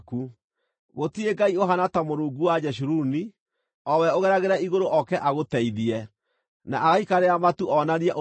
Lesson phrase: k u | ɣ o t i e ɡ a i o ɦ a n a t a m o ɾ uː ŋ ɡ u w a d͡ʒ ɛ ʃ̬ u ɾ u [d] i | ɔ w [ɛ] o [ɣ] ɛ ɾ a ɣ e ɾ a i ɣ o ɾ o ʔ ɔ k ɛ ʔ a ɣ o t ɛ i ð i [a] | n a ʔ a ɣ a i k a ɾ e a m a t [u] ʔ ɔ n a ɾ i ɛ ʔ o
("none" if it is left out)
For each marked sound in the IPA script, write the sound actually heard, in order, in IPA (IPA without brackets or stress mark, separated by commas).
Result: n, ɛ, ɣ, ɛ, u